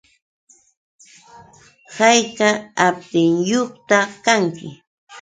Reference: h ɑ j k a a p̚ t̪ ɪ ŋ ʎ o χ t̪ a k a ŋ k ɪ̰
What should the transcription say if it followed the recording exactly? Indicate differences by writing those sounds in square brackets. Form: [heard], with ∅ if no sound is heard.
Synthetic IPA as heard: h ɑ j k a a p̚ t̪ ɪ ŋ [j] o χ t̪ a k a ŋ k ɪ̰